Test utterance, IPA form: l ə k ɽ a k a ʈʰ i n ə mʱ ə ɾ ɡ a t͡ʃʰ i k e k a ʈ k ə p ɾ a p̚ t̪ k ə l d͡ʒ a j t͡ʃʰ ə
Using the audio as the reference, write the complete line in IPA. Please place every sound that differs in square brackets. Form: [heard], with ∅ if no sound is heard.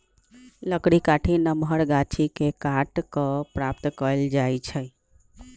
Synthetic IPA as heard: l ə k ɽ [i] k a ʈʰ i n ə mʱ ə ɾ ɡ a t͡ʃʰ i k e k a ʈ k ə p ɾ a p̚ t̪ k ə l d͡ʒ a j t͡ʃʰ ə